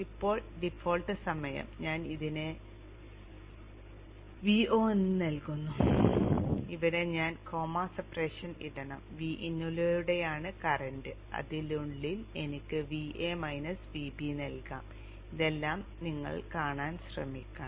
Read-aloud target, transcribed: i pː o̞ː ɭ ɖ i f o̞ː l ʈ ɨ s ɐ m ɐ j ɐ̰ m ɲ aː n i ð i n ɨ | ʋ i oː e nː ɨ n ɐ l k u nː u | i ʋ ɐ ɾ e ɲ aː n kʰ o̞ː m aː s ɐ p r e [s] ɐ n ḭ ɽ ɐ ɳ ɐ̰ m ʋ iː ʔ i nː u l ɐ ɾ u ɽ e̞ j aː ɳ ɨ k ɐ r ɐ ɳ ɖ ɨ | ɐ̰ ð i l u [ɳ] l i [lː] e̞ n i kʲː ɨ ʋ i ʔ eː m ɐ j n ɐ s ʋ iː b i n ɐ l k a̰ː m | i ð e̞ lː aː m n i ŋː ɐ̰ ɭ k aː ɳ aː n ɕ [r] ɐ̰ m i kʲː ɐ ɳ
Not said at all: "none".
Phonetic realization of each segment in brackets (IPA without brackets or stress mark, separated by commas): ʂ, ɳ, l, r